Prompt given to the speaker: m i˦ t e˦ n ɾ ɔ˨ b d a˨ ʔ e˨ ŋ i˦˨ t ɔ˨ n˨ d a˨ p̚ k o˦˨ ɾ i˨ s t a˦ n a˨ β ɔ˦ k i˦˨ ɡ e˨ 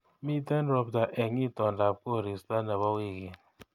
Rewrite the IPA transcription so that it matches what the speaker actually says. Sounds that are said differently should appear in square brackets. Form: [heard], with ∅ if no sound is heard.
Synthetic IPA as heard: m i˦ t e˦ n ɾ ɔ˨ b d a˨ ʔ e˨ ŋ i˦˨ t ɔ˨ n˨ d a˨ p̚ k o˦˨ ɾ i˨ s t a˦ n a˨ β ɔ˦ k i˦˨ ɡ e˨